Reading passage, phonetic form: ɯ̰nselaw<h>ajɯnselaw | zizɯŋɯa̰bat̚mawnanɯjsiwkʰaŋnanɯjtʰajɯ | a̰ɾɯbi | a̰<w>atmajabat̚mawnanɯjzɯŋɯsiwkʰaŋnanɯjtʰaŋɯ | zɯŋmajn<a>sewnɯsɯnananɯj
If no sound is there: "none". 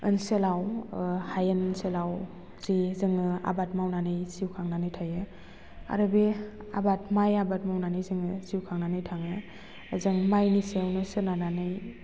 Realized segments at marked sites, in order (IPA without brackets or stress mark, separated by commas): h, b, i